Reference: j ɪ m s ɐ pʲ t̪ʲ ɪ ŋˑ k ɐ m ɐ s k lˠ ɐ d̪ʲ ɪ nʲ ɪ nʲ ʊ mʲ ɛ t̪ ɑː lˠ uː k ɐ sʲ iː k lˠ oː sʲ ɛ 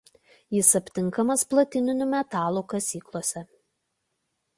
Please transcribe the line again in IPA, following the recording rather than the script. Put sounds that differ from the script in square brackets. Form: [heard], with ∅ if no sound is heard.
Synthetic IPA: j ɪ [∅] s ɐ pʲ t̪ʲ ɪ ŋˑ k ɐ m ɐ s [p] lˠ ɐ [t̪ʲ] ɪ nʲ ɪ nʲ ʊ mʲ ɛ t̪ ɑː lˠ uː k ɐ sʲ iː k lˠ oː sʲ ɛ

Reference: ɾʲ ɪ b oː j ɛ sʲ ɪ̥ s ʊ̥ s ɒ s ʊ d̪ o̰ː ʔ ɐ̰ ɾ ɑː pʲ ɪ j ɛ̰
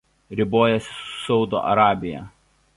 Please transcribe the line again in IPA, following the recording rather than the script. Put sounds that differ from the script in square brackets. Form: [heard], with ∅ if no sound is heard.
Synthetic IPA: ɾʲ ɪ b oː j ɛ sʲ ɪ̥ s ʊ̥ s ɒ [∅] ʊ d̪ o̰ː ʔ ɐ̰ ɾ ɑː [bʲ] ɪ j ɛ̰

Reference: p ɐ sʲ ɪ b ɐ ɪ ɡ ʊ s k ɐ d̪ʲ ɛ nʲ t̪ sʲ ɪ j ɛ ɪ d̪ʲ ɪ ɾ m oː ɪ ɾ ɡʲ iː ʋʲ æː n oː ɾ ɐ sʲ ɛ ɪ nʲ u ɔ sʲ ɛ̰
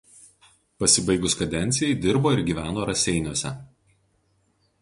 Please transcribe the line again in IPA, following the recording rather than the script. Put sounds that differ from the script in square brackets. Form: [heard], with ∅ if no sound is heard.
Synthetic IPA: p ɐ sʲ ɪ b ɐ ɪ ɡ ʊ s k ɐ d̪ʲ ɛ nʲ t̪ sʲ ɪ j ɛ ɪ d̪ʲ ɪ ɾ [b] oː ɪ ɾ ɡʲ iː ʋʲ æː n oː ɾ ɐ sʲ ɛ ɪ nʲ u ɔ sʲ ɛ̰

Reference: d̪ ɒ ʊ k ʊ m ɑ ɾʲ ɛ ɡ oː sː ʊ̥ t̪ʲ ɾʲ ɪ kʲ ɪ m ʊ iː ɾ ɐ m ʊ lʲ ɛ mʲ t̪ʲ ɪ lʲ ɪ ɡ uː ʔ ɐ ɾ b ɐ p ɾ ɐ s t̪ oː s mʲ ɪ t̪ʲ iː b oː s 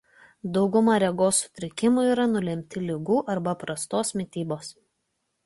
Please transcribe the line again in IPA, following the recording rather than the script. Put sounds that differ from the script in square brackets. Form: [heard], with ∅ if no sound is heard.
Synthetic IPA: d̪ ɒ ʊ [ɡ] ʊ m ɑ ɾʲ ɛ ɡ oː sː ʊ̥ t̪ʲ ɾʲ ɪ kʲ ɪ m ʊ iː ɾ ɐ [n] ʊ lʲ ɛ mʲ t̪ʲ ɪ lʲ ɪ ɡ uː ʔ ɐ ɾ b ɐ p ɾ ɐ s t̪ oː s mʲ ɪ t̪ʲ iː b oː s

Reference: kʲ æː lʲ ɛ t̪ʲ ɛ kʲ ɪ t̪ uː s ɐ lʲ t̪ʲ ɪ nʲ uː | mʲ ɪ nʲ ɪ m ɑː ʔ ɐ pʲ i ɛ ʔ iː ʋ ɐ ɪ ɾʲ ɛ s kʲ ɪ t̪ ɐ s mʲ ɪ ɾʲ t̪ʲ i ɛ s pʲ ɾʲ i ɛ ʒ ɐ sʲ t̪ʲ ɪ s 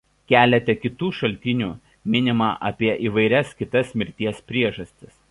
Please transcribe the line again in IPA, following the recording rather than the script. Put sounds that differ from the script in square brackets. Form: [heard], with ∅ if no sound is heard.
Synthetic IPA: kʲ æː lʲ ɛ t̪ʲ ɛ kʲ ɪ t̪ uː [ʃ] ɐ lʲ t̪ʲ ɪ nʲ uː | mʲ ɪ nʲ ɪ m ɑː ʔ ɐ pʲ i ɛ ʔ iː ʋ ɐ ɪ ɾʲ ɛ s kʲ ɪ t̪ ɐ s mʲ ɪ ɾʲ t̪ʲ i ɛ s pʲ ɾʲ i ɛ ʒ ɐ sʲ t̪ʲ ɪ s

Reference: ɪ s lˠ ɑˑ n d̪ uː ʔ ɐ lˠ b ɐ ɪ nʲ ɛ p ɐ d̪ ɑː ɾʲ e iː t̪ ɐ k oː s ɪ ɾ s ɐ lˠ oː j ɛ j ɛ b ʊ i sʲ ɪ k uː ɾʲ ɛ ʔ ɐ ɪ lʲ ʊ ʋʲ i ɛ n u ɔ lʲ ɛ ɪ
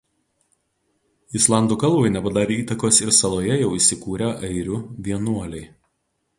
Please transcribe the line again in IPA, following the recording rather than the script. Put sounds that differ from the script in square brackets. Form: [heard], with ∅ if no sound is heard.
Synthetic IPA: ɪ s lˠ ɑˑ n d̪ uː [k] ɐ lˠ b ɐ ɪ nʲ ɛ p ɐ d̪ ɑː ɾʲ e iː t̪ ɐ k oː s ɪ ɾ s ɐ lˠ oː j ɛ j ɛ [∅] ʊ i sʲ ɪ k uː ɾʲ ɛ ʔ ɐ ɪ [ɾʲ] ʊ ʋʲ i ɛ n u ɔ lʲ ɛ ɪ

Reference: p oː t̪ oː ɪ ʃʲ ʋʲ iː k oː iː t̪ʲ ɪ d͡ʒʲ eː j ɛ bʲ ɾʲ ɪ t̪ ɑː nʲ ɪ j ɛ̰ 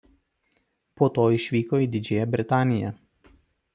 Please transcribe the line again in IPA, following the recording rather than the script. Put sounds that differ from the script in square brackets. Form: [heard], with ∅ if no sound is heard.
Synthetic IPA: p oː t̪ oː ɪ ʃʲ ʋʲ iː k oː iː [d̪ʲ] ɪ d͡ʒʲ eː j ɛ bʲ ɾʲ ɪ t̪ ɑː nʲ ɪ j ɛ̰

